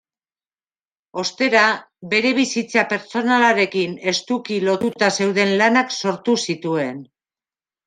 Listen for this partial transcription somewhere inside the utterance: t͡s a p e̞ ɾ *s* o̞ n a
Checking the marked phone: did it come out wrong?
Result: yes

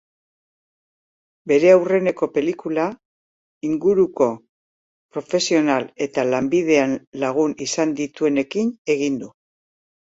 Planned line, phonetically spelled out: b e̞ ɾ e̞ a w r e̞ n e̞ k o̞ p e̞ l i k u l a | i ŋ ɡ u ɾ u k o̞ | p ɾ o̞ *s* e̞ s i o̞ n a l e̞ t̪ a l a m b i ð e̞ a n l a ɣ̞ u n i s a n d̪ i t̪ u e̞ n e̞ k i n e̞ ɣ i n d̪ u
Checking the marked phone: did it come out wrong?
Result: yes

